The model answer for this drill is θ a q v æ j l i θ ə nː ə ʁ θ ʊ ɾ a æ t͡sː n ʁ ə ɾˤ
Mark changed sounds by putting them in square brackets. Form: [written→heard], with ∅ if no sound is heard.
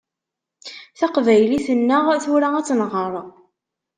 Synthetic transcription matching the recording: θ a q v æ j l i θ ə nː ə ʁ θ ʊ ɾ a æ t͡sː n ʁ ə ɾˤ